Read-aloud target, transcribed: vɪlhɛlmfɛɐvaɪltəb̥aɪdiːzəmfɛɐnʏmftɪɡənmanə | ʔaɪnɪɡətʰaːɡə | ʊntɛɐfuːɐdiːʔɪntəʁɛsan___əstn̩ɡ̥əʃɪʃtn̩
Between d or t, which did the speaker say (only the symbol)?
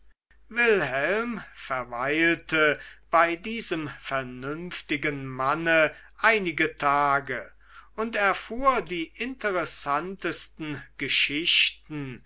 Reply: t